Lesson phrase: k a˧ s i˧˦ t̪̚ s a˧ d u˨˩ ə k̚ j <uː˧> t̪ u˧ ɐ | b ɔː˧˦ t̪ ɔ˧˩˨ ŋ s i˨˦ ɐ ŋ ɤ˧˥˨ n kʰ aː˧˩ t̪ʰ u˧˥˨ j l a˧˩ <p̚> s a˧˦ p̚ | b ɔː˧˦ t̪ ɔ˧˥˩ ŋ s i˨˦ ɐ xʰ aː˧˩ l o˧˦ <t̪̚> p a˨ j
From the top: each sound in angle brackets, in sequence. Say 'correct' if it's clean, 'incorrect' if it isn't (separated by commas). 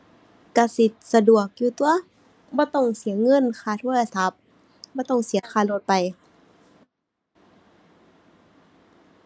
correct, incorrect, correct